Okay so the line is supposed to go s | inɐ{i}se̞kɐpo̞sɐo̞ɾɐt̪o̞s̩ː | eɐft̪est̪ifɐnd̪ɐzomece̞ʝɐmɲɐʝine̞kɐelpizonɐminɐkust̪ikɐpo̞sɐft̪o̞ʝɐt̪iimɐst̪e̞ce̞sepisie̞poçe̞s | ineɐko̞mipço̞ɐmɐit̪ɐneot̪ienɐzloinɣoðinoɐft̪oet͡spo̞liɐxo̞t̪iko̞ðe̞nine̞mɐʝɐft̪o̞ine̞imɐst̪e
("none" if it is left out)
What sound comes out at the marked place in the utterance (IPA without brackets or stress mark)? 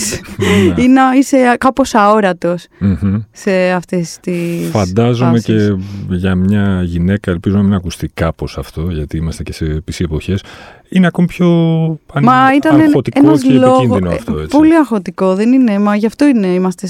i